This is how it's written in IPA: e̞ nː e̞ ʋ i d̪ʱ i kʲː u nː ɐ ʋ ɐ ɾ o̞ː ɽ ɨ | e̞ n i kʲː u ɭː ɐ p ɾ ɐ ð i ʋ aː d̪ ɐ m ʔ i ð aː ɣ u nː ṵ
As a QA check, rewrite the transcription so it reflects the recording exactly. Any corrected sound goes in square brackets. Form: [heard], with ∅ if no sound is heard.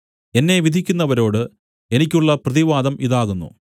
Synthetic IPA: e̞ nː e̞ ʋ i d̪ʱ i kʲː u nː ɐ ʋ ɐ ɾ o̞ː ɽ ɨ | e̞ n i kʲː u ɭː ɐ p [r] ɐ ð i ʋ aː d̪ ɐ m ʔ i ð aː ɣ u nː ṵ